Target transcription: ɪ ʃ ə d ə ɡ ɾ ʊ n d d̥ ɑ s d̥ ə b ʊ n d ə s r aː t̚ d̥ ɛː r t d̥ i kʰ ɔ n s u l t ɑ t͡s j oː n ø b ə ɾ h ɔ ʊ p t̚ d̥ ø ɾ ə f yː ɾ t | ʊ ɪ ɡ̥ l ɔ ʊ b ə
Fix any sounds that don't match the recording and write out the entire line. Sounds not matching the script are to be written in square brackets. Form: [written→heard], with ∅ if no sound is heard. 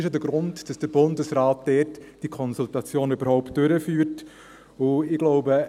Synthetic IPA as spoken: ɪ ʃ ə d ə ɡ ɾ ʊ n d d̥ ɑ s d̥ ə b ʊ n d ə s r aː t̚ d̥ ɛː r t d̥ i kʰ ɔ n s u l t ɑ t͡s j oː n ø b ə ɾ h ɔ ʊ p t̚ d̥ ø ɾ ə f yː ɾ t | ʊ ɪ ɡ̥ l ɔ ʊ b ə